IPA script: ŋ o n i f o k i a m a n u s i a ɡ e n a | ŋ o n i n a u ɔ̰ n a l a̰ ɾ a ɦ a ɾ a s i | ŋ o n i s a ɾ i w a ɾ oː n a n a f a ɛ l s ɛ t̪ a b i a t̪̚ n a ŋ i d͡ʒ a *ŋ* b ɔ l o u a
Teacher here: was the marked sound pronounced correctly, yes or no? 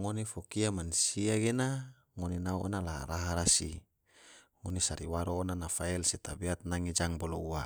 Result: yes